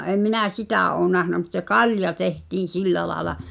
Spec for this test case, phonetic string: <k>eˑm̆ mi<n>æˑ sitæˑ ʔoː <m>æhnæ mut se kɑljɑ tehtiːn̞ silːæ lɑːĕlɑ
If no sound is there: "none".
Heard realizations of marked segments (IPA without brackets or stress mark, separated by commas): ʔ, n, n